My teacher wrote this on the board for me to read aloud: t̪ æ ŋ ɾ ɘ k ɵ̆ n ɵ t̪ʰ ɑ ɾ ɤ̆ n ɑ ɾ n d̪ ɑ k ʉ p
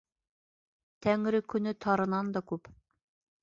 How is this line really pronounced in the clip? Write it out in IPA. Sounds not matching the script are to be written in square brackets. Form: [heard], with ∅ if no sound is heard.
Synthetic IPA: t̪ æ ŋ ɾ ɘ k ɵ̆ n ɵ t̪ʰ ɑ ɾ ɤ̆ n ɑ [∅] n d̪ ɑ k ʉ p